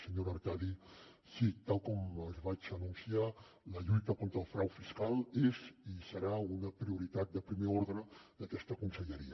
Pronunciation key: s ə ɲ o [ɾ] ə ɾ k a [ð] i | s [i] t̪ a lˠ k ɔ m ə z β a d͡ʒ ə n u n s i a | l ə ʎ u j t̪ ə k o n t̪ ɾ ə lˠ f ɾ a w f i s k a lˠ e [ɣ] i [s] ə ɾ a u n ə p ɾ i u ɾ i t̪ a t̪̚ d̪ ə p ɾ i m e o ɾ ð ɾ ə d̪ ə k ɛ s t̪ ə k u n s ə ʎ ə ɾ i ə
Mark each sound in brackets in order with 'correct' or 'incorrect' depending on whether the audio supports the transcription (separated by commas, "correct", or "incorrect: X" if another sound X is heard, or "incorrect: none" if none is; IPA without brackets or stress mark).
correct, correct, correct, incorrect: z, correct